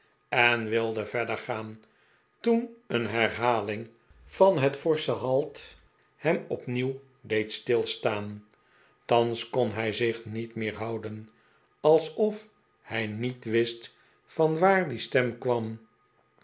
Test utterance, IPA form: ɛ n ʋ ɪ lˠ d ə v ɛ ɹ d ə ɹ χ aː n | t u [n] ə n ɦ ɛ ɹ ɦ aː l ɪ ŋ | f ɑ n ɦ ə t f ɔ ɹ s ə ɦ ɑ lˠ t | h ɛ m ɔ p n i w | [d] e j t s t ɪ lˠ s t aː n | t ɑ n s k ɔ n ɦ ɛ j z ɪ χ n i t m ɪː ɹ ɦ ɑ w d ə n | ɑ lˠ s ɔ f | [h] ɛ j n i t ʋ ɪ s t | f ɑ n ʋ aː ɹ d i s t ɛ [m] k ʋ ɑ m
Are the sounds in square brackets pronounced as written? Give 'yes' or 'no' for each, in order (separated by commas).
yes, yes, yes, yes